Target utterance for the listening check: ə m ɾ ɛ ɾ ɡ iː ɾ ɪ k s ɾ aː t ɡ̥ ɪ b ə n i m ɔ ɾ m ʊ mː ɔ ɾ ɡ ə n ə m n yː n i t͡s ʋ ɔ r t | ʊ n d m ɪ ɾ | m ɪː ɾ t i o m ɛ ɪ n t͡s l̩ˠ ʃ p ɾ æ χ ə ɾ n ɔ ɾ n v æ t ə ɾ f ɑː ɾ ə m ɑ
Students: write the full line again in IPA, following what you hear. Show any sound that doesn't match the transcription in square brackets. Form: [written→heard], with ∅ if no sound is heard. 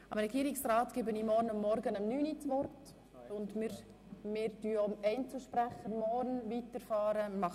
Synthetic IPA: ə m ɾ ɛ [ɾ→∅] ɡ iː ɾ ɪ k s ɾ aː t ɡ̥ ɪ b ə n i m ɔ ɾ [m→n] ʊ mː ɔ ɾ ɡ ə n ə m n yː n i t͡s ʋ ɔ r t | ʊ n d m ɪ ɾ | m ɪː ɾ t [i→y] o m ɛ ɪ n t͡s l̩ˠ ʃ p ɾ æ χ ə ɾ [n→m] ɔ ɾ n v [æ→i] t ə ɾ f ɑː ɾ ə m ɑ